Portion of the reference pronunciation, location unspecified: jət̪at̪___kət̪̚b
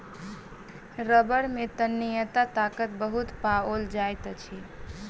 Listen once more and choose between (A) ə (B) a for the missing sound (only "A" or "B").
B